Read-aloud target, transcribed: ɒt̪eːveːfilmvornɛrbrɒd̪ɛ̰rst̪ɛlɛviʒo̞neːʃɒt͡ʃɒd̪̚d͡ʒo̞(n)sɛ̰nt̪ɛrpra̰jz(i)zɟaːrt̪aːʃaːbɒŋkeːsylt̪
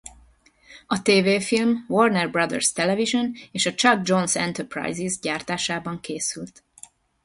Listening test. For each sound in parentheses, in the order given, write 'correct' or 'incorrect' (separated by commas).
correct, correct